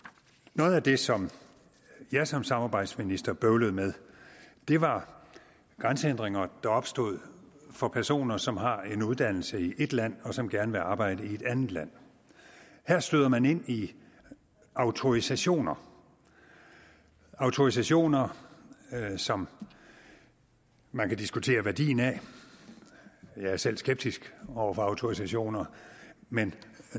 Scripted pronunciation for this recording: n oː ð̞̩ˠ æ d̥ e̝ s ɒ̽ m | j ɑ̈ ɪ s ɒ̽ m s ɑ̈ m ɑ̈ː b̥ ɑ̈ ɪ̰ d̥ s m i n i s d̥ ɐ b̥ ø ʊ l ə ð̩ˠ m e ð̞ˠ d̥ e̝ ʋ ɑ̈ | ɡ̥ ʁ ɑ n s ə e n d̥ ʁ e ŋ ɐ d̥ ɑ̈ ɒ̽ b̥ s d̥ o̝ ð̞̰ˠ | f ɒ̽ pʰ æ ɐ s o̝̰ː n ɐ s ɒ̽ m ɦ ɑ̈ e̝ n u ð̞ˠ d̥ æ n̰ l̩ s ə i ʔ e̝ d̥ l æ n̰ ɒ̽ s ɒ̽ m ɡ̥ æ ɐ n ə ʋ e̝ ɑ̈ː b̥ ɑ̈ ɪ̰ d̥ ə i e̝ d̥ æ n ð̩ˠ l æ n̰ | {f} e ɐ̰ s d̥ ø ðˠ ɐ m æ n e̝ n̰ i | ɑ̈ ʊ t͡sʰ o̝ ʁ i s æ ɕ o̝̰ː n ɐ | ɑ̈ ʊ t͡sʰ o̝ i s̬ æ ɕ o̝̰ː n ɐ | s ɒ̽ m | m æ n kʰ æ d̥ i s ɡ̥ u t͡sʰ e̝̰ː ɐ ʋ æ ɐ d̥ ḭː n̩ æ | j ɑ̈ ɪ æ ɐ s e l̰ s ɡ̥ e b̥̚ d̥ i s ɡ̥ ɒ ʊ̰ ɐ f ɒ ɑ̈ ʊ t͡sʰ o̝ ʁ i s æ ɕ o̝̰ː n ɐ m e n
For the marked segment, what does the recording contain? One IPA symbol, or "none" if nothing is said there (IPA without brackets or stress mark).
h